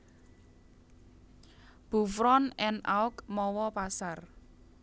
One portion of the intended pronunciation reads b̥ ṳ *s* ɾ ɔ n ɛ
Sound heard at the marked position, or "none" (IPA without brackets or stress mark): f